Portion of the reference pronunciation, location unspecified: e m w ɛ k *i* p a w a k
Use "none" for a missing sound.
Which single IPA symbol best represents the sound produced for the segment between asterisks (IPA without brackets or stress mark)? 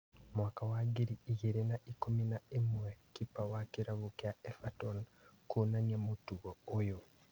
i